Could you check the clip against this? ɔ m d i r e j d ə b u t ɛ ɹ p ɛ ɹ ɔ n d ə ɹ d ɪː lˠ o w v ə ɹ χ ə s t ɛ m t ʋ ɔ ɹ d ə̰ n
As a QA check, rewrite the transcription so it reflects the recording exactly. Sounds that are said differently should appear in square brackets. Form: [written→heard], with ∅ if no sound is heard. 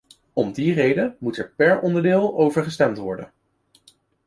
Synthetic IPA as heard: ɔ m d i r e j d ə [b→m] u t ɛ ɹ p ɛ ɹ ɔ n d ə ɹ d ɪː lˠ o w v ə ɹ χ ə s t ɛ m t ʋ ɔ ɹ d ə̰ n